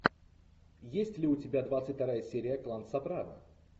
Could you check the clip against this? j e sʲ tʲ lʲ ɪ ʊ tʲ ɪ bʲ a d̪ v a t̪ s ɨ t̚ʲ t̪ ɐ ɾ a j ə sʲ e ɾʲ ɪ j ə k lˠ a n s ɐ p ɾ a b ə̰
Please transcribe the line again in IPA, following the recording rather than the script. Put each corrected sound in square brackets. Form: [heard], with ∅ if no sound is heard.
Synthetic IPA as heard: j e sʲ tʲ lʲ ɪ ʊ tʲ ɪ bʲ a d̪ v a t̪ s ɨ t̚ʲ t̪ ɐ ɾ a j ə sʲ e ɾʲ ɪ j ə k lˠ a n s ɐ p ɾ a [v] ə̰

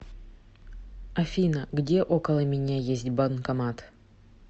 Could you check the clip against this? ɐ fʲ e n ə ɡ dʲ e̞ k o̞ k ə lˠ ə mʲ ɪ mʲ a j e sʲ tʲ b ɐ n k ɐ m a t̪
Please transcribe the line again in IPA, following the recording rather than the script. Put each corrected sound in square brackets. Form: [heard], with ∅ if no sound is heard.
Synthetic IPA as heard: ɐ fʲ [i] n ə ɡ dʲ e̞ [ʔ] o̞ k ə lˠ ə mʲ ɪ [nʲ] a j e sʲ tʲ b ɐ n k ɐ m a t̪

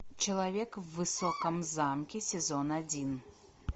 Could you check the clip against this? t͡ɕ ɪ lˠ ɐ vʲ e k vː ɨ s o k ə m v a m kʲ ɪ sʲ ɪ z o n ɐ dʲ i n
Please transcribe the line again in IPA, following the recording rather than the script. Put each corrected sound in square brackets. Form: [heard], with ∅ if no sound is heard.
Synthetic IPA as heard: t͡ɕ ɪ lˠ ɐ vʲ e k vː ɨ s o k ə m [z] a m kʲ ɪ sʲ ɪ z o n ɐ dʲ i n

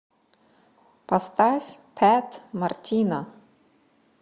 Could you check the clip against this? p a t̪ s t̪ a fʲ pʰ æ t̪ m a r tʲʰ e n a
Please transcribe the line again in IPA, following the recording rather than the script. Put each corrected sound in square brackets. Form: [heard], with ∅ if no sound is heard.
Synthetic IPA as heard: p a [∅] s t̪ a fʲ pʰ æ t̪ m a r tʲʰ [i] n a

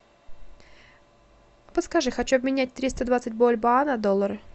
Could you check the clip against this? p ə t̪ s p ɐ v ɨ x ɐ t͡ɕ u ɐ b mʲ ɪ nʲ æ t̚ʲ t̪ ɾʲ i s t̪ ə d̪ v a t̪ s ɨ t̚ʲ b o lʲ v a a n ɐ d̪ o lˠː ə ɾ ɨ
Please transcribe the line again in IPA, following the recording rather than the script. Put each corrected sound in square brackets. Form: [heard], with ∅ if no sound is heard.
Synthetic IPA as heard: p ə t̪ s [k] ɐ [ʐ] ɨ x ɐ t͡ɕ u ɐ b mʲ ɪ nʲ æ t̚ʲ t̪ ɾʲ i s t̪ ə d̪ v a t̪ s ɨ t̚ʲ b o lʲ [b] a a n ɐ d̪ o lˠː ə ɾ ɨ

